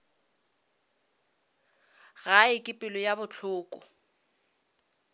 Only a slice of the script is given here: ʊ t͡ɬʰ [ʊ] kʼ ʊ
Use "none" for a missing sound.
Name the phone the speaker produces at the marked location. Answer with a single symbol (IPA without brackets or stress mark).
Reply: ʊː